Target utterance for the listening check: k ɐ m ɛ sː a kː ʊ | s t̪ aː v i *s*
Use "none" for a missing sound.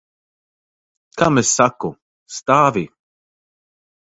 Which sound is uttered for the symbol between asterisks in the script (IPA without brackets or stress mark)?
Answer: none